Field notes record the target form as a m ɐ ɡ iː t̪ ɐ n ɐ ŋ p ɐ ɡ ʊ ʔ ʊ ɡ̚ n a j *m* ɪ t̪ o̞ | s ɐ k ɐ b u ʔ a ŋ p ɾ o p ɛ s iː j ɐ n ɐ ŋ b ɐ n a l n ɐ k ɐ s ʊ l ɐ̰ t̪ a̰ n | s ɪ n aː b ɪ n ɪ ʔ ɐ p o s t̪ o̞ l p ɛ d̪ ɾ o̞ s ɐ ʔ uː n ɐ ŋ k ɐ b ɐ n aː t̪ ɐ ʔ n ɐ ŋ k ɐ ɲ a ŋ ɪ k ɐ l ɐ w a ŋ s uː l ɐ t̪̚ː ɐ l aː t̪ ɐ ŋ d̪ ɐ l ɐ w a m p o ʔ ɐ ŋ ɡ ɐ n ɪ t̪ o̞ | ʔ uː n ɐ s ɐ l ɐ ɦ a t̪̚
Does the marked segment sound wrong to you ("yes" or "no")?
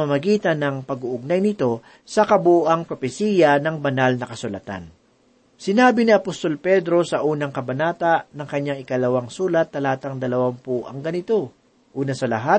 yes